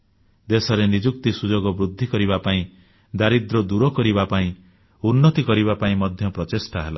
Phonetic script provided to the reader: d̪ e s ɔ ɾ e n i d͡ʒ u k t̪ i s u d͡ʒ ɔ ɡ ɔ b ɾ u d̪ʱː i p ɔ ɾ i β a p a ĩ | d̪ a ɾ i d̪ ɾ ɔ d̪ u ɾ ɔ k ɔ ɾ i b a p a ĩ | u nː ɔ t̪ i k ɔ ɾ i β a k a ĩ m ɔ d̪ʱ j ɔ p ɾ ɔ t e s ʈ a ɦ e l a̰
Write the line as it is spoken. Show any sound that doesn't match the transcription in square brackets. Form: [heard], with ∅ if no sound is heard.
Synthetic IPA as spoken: d̪ e s ɔ ɾ e n i d͡ʒ u k t̪ i s u d͡ʒ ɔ ɡ ɔ b ɾ u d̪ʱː i [k] ɔ ɾ i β a p a ĩ | d̪ a ɾ i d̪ ɾ ɔ d̪ u ɾ ɔ k ɔ ɾ i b a p a ĩ | u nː ɔ t̪ i k ɔ ɾ i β a [p] a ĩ m ɔ d̪ʱ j ɔ p ɾ ɔ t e s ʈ a ɦ e l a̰